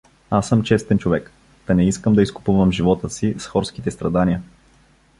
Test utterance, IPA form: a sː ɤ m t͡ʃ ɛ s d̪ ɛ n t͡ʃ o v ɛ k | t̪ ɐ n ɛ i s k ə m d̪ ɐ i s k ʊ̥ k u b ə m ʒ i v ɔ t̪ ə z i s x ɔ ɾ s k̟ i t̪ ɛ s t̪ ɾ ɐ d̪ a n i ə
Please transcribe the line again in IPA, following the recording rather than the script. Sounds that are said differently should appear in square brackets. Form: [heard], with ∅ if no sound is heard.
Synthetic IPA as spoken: a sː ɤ m t͡ʃ ɛ s [t̪] ɛ n t͡ʃ o v ɛ k | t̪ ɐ n ɛ i s k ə m d̪ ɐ i s k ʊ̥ [p] u [v] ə m ʒ i v ɔ t̪ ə [s] i s x ɔ ɾ s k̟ i t̪ ɛ s t̪ ɾ ɐ d̪ a n i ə